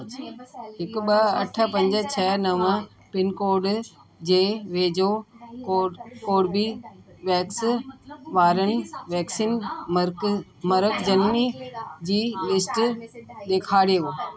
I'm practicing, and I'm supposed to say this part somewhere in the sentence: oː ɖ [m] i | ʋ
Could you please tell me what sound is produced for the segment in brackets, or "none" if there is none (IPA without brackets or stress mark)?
b